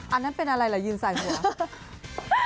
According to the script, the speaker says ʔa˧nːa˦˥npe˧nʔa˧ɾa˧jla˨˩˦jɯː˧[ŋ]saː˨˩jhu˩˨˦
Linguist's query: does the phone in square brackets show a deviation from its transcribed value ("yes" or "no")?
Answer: yes